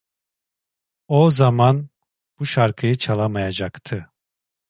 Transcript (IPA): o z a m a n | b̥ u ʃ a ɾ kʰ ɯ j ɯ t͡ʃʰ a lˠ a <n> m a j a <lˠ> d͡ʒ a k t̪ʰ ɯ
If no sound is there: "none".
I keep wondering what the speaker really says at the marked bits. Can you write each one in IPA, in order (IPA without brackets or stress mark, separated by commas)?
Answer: none, none